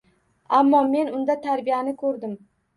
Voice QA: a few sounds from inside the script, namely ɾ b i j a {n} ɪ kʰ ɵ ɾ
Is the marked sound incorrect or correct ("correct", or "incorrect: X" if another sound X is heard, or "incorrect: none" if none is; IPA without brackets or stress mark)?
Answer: correct